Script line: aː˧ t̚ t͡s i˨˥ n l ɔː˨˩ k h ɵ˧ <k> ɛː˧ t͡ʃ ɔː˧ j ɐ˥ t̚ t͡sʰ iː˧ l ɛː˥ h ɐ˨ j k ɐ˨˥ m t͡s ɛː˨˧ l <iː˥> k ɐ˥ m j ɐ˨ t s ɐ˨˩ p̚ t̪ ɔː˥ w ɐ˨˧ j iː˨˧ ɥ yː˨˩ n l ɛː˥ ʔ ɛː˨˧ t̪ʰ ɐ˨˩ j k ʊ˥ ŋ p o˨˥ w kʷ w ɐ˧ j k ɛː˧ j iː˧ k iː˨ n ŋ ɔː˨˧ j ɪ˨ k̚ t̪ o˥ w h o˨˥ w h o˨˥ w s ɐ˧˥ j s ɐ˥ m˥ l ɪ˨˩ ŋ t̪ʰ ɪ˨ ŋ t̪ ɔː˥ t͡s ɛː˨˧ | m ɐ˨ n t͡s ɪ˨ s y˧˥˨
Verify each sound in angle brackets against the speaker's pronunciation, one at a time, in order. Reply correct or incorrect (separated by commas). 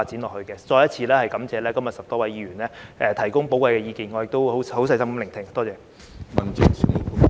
correct, incorrect